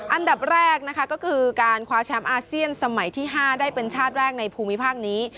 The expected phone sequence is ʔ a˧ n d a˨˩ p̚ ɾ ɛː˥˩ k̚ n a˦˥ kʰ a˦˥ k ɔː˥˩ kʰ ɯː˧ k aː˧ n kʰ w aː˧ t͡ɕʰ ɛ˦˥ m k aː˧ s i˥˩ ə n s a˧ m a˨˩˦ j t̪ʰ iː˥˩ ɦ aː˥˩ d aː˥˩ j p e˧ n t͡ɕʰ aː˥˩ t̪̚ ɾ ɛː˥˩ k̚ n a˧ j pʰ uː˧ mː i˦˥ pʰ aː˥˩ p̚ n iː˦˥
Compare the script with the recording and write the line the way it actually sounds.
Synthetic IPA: ʔ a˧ n d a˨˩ p̚ ɾ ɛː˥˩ k̚ n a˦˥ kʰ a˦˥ k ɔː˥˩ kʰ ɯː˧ k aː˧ n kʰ w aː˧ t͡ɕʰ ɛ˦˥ m ʔ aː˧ s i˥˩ ə n s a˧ m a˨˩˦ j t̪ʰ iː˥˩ ɦ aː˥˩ d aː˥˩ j p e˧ n t͡ɕʰ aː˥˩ t̪̚ ɾ ɛː˥˩ k̚ n a˧ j pʰ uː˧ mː i˦˥ pʰ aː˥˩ k̚ n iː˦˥

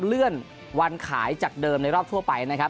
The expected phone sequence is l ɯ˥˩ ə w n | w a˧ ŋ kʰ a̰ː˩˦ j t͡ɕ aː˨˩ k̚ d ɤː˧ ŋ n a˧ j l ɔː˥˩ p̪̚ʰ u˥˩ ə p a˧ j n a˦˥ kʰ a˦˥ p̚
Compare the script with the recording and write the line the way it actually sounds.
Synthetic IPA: l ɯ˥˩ ə n | w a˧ n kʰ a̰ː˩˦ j t͡ɕ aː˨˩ k̚ d ɤː˧ m n a˧ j ɾ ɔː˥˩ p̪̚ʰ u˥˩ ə p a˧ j n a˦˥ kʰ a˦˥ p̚

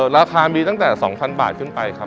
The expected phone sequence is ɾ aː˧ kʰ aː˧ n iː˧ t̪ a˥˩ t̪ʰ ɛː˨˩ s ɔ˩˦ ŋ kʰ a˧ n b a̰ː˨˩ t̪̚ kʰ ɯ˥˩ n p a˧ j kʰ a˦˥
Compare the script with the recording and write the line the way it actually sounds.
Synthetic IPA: ɾ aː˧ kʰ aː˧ m iː˧ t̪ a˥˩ t̪ ɛː˨˩ s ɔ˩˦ ŋ pʰ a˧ n b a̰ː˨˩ t̪̚ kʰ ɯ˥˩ n p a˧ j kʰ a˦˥

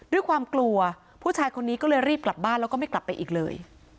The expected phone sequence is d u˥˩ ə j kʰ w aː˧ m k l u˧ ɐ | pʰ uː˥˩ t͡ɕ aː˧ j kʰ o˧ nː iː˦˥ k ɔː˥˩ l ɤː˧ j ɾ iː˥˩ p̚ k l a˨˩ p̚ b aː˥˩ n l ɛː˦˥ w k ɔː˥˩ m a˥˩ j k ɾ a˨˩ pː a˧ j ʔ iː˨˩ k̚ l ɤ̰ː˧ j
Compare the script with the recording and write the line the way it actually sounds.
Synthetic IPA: d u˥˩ ə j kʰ w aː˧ m k l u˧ ɐ | pʰ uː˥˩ t͡ɕʰ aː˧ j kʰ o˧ nː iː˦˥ k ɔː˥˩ l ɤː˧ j ɾ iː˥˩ p̚ k l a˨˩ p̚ b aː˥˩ n l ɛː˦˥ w k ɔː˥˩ m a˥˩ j k l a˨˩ pː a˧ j ʔ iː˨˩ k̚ l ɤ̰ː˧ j

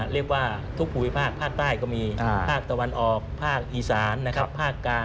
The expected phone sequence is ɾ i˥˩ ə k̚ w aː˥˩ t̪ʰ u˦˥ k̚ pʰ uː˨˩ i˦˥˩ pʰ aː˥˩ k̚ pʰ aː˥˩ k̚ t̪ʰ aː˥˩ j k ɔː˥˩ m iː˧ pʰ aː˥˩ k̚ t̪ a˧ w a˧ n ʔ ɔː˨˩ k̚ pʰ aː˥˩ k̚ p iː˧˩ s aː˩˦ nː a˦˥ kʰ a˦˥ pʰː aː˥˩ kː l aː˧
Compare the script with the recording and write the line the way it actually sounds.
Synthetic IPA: ɾ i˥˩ ə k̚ w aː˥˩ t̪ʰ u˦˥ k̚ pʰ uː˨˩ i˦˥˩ pʰ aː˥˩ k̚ pʰ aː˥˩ k̚ t̪ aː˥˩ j k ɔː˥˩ m iː˧ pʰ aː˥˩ k̚ t̪ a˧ w a˧ n ʔ ɔː˨˩ k̚ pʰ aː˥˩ k̚ ʔ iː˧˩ s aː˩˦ nː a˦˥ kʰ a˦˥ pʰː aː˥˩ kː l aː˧

